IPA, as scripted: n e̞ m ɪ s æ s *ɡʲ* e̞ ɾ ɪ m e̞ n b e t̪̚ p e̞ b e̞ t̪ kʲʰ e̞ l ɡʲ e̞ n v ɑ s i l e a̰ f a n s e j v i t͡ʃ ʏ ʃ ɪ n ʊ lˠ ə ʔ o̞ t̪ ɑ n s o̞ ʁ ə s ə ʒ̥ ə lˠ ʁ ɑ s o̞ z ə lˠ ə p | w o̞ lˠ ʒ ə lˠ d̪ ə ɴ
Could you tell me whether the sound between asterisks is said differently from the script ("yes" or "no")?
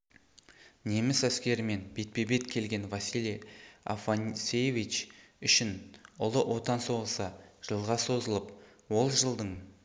yes